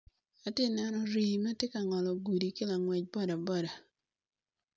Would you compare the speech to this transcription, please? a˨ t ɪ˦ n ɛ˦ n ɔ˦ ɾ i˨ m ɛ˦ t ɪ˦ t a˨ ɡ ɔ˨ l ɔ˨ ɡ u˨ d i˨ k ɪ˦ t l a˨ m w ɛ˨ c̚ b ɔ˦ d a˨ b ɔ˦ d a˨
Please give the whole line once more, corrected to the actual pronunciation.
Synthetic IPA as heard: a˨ t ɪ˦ n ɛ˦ n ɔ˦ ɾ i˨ m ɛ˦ t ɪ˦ k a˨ ŋ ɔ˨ l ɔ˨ ɡ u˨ d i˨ k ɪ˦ l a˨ ŋ w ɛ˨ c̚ b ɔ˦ d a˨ b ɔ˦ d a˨